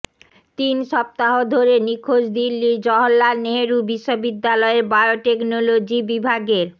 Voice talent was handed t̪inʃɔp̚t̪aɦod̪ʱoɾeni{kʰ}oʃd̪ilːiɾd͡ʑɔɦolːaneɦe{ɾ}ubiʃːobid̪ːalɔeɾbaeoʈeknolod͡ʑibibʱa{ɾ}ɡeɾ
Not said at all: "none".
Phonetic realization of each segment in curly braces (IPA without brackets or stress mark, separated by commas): kʰ, ɾ, none